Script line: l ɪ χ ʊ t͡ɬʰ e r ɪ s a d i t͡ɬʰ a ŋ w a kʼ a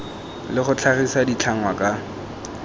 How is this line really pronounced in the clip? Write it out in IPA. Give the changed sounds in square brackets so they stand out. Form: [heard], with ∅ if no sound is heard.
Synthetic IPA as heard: l ɪ χ ʊ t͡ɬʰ [a] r [i] s a d i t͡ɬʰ a ŋ w a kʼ a